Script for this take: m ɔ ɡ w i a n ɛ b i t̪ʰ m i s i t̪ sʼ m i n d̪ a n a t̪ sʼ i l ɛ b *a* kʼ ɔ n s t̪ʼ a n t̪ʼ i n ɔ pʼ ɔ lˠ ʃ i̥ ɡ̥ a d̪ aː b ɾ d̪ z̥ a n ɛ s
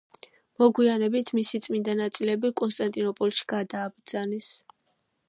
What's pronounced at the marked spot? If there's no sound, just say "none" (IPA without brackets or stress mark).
i